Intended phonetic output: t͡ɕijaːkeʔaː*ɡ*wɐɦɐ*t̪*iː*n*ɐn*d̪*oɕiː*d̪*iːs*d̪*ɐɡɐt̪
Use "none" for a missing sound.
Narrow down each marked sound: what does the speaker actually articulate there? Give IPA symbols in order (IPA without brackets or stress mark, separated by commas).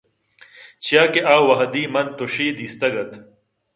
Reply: none, d̪, m, t̪, d̪, t̪